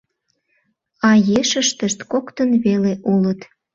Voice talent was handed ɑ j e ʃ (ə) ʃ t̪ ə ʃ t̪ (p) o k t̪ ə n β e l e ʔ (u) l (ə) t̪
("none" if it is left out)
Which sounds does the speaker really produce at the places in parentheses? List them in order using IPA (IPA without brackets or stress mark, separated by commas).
ə, k, u, ə